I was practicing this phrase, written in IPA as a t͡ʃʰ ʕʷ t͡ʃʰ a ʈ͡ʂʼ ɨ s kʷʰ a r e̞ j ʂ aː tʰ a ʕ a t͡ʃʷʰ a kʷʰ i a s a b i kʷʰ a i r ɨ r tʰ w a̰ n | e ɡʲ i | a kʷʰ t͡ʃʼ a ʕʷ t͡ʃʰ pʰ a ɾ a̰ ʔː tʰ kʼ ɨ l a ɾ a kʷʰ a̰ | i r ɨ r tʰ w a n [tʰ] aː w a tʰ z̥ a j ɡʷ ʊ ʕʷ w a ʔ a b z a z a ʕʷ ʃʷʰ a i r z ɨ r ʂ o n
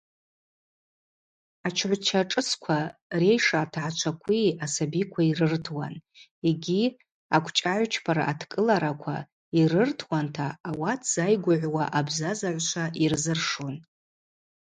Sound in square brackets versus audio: correct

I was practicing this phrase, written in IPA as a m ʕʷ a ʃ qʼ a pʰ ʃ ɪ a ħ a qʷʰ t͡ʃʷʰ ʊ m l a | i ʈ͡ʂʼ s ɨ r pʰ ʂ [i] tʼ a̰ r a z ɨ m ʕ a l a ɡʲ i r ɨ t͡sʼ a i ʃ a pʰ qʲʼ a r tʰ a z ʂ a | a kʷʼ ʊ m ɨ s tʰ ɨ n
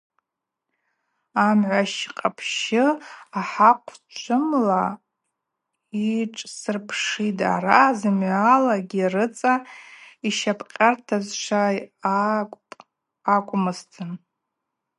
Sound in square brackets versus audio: correct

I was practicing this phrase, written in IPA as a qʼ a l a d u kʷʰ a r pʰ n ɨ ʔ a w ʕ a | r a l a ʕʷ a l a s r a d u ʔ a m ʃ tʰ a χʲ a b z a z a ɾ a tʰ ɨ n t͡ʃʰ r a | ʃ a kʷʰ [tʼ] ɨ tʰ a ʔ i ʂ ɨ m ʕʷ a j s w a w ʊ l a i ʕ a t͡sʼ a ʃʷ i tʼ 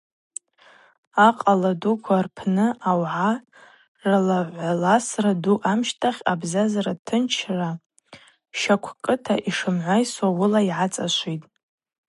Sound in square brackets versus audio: incorrect: kʼ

